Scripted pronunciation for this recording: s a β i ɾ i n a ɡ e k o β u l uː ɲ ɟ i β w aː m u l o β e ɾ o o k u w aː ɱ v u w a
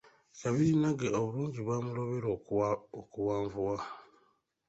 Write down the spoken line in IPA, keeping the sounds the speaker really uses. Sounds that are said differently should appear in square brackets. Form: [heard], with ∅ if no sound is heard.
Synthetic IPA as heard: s a β i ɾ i n a ɡ e [∅] o β u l uː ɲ ɟ i β w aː m u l o β e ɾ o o k u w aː ɱ v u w a